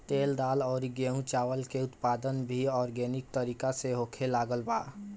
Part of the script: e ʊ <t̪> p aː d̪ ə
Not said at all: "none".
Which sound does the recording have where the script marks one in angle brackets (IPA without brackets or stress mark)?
t̪